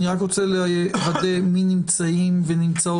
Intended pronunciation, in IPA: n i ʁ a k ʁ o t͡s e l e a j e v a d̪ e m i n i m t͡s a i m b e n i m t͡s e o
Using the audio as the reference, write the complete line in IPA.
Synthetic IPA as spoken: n i ʁ a k ʁ o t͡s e l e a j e v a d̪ e m i n i m t͡s a i m v e n i m t͡s a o